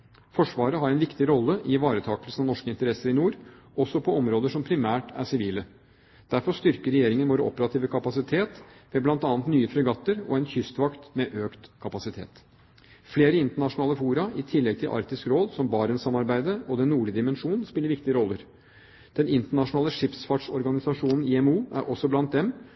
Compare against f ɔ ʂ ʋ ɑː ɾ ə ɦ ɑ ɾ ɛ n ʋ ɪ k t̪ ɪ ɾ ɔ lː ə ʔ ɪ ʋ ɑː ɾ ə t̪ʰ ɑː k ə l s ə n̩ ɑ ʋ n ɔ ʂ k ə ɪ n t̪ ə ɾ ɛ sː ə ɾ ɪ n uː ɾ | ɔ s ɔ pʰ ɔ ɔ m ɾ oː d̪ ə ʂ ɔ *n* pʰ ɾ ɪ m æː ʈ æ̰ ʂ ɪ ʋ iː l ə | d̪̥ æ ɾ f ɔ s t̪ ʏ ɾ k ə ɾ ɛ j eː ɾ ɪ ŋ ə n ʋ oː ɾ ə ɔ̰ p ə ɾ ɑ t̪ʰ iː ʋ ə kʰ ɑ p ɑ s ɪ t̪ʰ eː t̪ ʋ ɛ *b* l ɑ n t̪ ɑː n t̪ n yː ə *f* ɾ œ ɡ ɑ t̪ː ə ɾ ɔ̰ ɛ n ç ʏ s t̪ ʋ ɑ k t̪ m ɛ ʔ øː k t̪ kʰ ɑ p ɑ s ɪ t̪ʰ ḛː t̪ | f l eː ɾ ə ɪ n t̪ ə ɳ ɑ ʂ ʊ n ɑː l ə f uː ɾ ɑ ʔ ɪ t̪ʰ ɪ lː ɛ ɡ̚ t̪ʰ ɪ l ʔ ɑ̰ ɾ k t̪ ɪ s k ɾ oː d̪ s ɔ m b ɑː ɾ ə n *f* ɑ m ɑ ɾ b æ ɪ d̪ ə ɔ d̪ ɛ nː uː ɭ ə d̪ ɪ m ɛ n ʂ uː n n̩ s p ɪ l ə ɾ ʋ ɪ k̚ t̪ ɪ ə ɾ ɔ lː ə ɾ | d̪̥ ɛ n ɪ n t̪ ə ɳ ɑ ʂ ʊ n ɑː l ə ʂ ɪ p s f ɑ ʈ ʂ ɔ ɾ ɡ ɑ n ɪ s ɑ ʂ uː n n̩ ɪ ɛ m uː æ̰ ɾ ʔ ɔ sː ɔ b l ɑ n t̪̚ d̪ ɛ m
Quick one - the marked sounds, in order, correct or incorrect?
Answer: incorrect, correct, correct, incorrect

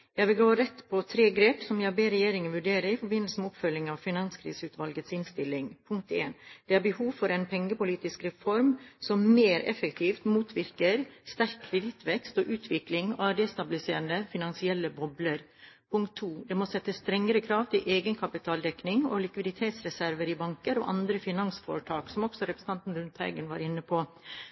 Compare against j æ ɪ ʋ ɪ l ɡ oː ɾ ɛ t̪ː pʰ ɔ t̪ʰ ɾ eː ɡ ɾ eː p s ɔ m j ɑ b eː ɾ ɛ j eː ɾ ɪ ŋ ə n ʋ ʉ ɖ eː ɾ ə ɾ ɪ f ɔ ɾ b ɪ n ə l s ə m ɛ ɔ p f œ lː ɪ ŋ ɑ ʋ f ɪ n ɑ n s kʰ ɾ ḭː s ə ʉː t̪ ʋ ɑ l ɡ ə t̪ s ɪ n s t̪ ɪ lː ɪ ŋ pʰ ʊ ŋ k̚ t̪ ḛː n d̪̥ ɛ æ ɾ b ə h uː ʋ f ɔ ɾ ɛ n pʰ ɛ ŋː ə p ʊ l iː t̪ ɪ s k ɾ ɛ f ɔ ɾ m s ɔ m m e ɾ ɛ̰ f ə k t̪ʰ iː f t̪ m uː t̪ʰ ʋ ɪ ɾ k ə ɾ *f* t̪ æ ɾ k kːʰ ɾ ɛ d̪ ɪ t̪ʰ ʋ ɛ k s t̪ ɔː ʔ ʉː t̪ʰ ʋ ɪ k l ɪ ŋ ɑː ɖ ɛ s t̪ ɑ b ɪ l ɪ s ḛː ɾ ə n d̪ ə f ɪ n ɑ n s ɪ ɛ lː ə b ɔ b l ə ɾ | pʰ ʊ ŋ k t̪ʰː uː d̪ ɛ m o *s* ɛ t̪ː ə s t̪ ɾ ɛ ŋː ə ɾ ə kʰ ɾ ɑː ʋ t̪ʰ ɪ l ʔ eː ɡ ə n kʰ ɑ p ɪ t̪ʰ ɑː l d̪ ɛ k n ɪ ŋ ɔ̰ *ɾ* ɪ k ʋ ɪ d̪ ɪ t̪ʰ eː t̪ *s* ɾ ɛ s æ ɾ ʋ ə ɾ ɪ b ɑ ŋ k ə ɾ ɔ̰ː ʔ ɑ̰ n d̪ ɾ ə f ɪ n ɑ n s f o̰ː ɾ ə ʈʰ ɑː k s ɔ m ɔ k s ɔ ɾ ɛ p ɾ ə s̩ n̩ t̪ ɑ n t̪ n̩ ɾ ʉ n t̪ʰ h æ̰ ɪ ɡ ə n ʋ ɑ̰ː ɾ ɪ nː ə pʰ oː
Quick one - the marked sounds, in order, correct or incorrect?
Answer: incorrect, correct, incorrect, correct

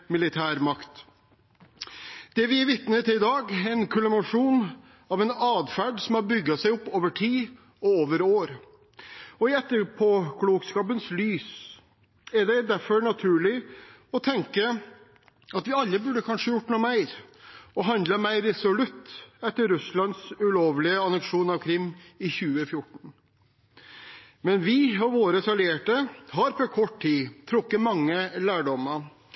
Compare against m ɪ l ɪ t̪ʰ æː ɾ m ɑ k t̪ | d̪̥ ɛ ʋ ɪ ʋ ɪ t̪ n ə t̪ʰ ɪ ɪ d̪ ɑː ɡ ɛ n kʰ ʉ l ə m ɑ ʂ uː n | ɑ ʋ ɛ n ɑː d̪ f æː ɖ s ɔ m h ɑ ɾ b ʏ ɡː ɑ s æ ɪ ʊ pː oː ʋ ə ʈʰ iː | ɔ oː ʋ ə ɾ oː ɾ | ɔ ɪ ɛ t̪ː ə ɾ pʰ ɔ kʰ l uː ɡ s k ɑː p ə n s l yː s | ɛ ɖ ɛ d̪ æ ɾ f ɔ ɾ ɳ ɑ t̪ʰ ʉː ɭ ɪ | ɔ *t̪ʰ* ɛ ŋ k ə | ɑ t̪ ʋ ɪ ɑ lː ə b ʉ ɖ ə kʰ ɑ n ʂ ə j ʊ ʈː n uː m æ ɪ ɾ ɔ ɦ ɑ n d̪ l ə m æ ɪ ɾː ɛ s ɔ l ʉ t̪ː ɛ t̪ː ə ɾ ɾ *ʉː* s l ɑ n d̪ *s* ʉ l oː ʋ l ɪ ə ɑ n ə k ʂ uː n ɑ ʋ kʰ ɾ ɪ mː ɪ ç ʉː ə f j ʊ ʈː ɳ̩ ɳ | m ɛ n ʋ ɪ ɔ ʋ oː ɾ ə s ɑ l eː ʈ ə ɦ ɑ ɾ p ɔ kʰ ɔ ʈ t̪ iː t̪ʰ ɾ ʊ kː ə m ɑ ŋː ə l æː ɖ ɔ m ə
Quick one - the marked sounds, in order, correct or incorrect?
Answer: correct, incorrect, correct

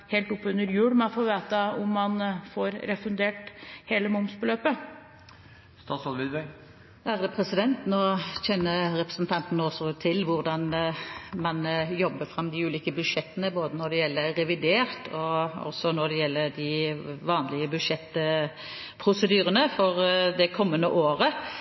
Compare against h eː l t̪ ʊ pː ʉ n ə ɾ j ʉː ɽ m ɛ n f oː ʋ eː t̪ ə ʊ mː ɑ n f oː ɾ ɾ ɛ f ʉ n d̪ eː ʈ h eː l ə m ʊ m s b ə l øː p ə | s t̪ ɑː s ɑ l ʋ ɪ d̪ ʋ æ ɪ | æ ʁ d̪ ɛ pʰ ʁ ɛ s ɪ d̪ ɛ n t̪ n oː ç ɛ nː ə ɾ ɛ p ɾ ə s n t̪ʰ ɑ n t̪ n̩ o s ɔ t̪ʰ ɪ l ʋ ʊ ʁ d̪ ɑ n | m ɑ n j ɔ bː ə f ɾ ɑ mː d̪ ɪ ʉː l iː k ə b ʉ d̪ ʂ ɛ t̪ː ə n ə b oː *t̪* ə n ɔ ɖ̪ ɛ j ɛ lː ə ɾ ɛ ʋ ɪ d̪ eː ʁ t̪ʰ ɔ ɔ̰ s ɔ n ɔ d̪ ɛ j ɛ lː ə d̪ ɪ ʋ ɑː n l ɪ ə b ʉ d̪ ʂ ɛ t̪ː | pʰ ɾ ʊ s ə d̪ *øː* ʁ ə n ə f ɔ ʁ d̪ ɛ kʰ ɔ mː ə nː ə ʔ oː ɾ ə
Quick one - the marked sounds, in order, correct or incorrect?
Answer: incorrect, incorrect

